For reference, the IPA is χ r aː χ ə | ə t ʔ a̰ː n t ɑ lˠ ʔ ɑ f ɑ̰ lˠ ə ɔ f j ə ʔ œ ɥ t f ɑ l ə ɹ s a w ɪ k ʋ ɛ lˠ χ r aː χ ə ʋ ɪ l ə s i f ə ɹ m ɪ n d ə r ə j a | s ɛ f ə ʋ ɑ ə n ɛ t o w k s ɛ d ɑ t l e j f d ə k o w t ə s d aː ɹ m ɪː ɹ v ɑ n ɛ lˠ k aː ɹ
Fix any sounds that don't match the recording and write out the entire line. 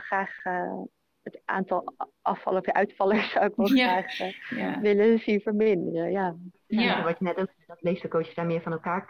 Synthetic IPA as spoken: χ r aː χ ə | ə t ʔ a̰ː n t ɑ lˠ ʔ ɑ f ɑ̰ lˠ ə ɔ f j ə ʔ œ ɥ t f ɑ l ə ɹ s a w ɪ k ʋ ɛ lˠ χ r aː χ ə ʋ ɪ l ə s i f ə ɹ m ɪ n d ə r ə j a | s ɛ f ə ʋ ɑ ə n ɛ t o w k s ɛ d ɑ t l e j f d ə k o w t ə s d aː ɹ m ɪː ɹ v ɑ n ɛ lˠ k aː ɹ